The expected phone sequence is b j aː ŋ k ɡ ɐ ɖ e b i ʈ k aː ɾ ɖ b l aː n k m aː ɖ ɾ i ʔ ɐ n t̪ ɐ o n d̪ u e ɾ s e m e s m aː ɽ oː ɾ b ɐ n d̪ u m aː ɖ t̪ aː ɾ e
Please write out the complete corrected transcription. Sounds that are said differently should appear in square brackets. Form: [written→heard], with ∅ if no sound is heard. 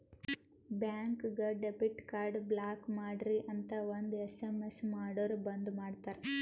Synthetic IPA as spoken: b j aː ŋ k ɡ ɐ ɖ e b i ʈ k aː ɾ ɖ b l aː [n→∅] k m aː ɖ ɾ i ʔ ɐ n t̪ ɐ o n d̪ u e [ɾ→∅] s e m e s m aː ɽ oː ɾ b ɐ n d̪ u m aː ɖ t̪ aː ɾ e